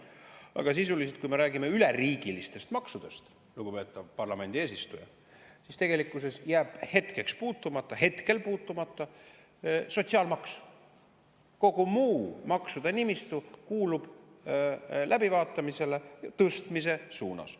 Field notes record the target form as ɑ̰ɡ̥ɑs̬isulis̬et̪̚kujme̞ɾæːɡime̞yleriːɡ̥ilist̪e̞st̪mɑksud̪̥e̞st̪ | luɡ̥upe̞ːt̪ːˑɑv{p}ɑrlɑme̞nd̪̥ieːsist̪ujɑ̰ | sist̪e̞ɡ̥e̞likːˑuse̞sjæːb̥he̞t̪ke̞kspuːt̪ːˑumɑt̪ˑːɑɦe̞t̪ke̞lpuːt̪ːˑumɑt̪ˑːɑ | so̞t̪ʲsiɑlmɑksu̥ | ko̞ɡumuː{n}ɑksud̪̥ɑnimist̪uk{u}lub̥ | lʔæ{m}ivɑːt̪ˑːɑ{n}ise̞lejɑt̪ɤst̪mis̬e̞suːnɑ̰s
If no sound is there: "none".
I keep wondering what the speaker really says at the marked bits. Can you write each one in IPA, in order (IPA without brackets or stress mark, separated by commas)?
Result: p, m, uː, b, m